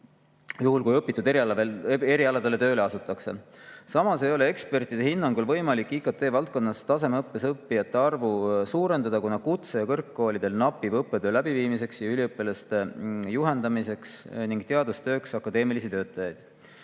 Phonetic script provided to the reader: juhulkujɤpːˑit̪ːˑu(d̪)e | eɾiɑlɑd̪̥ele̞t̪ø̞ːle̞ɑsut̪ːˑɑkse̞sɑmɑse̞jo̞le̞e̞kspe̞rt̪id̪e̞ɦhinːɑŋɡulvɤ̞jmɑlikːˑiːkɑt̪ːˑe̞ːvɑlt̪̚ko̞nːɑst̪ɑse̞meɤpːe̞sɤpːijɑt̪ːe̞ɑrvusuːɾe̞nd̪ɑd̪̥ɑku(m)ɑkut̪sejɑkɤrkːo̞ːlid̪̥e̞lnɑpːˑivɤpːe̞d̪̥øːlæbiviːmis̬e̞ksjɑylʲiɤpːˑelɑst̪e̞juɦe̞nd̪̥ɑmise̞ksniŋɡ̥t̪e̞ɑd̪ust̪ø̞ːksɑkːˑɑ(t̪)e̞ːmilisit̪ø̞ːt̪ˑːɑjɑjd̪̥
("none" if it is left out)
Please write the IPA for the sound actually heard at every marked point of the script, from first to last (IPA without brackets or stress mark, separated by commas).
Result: d̪, n, d̪